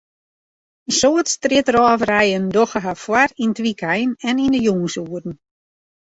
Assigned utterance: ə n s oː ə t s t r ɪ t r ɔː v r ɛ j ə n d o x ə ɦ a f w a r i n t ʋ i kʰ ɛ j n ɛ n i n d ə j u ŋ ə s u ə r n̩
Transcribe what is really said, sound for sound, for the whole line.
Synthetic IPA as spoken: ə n s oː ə t s t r ɪ t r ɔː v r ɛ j ə n d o x ə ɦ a f w a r i n t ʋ i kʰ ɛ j n ɛ n i n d ə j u ŋ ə s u ə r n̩